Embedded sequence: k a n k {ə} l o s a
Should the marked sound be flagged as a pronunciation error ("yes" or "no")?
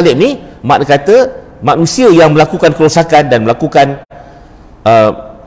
no